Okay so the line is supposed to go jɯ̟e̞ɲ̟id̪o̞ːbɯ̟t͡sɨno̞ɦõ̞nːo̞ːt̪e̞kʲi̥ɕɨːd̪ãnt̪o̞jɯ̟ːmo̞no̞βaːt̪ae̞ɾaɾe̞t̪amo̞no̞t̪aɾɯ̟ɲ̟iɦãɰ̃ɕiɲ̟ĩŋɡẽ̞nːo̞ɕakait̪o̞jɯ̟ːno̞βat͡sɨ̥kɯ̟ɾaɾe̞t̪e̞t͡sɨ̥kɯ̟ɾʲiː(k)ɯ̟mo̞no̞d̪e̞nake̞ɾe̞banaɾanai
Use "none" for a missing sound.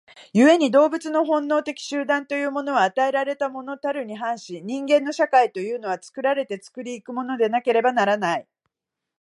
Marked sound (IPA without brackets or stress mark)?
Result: k